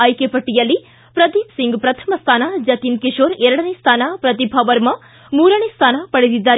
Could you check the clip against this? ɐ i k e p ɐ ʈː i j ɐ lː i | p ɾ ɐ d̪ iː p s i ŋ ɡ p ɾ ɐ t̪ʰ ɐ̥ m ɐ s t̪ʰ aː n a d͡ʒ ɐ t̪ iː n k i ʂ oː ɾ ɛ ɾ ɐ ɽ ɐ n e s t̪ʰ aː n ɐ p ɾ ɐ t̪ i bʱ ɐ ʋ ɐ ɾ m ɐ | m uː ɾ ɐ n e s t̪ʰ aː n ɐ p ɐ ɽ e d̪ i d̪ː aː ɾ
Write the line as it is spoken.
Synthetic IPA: ɐ j k e p ɐ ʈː i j ɐ lː i | p ɾ ɐ d̪ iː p s i ŋ ɡ p ɾ ɐ t̪ʰ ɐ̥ m ɐ s t̪ʰ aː n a d͡ʒ ɐ t̪ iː n k i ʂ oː ɾ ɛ ɾ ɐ ɽ ɐ n e s t̪ʰ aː n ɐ p ɾ ɐ t̪ i bʱ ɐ ʋ ɐ ɾ m ɐ | m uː ɾ ɐ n e s t̪ʰ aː n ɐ p ɐ ɽ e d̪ i d̪ː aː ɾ